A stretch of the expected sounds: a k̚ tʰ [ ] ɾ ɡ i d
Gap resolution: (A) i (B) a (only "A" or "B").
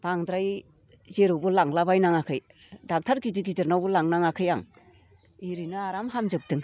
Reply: B